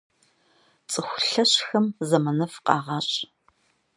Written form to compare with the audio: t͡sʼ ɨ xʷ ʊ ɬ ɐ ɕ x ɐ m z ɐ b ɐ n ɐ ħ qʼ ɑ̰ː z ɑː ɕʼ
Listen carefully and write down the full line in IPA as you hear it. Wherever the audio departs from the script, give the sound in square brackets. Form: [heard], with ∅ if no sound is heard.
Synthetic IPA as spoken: t͡sʼ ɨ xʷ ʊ ɬ ɐ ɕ x ɐ m z ɐ [m] ɐ n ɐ [f] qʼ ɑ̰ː [ʁ] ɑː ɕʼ